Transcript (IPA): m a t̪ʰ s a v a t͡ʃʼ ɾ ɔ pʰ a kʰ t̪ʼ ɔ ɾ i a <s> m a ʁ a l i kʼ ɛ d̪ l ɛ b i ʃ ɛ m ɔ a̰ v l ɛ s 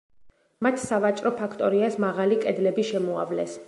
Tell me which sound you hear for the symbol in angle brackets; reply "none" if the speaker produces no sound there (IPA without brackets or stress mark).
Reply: s